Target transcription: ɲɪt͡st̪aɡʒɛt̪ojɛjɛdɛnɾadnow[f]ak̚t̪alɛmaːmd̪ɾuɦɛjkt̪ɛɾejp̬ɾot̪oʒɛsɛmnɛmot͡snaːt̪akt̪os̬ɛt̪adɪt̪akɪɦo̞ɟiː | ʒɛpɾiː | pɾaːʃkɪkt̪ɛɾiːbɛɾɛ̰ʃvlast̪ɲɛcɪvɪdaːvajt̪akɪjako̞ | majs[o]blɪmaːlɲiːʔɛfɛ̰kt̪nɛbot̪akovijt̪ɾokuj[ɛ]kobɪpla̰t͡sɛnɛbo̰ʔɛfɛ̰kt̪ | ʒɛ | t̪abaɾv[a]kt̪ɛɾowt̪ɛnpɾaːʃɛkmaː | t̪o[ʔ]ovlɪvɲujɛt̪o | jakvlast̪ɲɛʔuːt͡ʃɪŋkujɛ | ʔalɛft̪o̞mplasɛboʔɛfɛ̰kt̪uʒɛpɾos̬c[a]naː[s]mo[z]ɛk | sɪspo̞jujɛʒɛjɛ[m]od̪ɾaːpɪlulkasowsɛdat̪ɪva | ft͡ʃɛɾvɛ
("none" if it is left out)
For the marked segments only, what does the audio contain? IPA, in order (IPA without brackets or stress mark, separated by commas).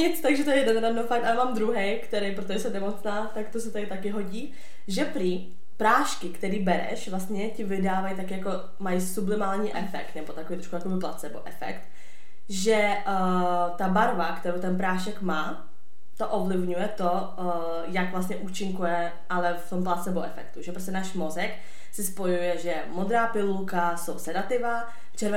f, u, a, a, ʔ, ɛ, ʃ, z, m